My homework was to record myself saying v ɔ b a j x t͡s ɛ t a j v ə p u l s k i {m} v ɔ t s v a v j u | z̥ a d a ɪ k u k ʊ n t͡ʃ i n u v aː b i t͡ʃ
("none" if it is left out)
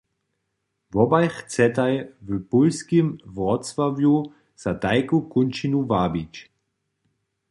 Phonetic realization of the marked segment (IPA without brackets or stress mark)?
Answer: m